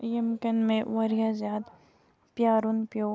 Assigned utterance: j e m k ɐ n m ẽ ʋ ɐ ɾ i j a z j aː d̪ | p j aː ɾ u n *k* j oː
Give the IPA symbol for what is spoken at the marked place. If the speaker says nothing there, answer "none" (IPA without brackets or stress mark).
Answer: p